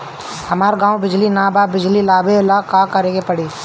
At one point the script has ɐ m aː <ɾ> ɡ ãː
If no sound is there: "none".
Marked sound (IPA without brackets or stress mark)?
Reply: ɾ